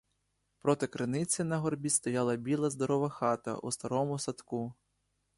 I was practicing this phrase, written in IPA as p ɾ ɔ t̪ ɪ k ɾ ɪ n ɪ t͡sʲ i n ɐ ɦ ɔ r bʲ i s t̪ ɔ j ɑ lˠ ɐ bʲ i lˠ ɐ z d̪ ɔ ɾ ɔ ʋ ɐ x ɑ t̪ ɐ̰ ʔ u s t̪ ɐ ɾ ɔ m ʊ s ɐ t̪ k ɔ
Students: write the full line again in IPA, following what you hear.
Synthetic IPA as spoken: p ɾ ɔ t̪ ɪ k ɾ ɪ n ɪ t͡sʲ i n ɐ ɦ ɔ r bʲ i s t̪ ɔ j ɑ lˠ ɐ bʲ i lˠ ɐ z d̪ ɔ ɾ ɔ ʋ ɐ x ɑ t̪ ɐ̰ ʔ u s t̪ ɐ ɾ ɔ m ʊ s ɐ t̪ k u